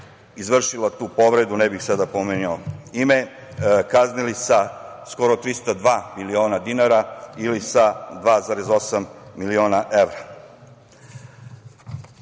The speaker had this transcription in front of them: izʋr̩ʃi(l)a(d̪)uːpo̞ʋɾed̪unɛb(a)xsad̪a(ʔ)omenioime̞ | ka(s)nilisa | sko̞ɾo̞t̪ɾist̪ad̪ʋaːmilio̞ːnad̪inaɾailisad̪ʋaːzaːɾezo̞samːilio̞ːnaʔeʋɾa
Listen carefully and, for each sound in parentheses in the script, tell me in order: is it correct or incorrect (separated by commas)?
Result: correct, incorrect, incorrect, incorrect, incorrect